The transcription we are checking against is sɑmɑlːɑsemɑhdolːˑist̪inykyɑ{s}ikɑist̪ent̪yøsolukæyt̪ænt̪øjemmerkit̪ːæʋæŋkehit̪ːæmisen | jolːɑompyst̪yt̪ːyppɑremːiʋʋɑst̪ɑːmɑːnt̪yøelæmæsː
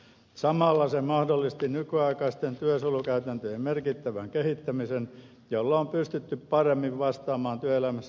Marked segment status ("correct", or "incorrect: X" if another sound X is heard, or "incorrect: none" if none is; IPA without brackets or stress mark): incorrect: none